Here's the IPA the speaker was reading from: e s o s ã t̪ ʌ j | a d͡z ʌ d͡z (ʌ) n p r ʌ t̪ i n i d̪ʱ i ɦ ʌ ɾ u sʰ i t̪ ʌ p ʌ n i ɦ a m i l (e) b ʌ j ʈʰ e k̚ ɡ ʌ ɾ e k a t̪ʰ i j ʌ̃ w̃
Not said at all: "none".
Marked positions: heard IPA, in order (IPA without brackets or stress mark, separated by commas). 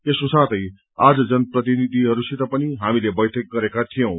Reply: ʌ, e